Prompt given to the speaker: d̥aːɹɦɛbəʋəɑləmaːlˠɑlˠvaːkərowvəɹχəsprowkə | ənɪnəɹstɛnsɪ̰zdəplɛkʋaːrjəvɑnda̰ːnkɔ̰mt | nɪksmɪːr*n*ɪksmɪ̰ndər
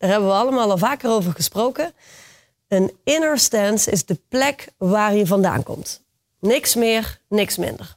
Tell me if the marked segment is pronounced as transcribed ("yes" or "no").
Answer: yes